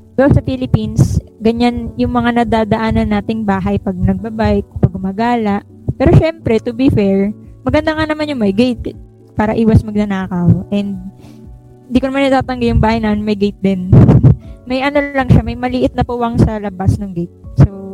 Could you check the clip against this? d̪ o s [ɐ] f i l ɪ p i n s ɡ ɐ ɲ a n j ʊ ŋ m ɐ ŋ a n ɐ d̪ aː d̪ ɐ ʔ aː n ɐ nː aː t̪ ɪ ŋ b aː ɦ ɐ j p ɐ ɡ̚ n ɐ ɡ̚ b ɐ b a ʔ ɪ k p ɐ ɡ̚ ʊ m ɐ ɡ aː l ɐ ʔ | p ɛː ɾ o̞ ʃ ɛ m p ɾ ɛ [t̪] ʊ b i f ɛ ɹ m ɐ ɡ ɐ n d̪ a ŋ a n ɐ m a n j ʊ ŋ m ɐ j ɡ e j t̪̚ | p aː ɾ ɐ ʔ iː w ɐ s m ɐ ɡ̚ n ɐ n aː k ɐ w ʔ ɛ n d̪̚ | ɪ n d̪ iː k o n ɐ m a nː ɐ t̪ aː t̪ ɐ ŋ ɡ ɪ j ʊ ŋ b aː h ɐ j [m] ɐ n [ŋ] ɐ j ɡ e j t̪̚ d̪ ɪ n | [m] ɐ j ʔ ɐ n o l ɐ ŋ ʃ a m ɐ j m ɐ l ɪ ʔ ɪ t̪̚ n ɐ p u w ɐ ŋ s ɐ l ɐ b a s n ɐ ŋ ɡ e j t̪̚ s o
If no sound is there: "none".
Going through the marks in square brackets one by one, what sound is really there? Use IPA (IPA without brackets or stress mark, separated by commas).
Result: ɐ, t̪, n, m, m